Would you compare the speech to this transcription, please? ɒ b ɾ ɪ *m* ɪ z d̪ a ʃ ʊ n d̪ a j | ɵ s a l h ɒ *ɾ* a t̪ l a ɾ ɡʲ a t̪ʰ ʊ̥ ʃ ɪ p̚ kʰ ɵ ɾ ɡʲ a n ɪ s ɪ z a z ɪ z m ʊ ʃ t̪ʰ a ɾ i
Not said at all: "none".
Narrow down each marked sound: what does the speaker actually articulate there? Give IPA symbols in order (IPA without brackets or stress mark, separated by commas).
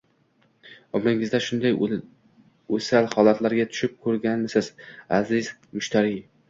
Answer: ŋ, l